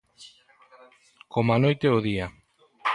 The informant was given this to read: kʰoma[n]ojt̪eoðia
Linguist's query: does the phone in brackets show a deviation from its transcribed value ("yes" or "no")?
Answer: no